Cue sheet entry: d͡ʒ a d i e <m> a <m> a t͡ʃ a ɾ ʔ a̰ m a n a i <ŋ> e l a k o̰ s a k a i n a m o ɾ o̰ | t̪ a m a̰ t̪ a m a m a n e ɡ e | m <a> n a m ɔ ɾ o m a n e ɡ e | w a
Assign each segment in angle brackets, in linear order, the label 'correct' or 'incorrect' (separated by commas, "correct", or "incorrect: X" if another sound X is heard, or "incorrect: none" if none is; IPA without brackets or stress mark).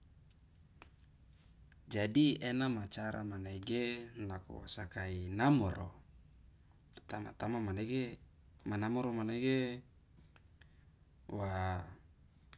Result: incorrect: n, correct, incorrect: ɡ, correct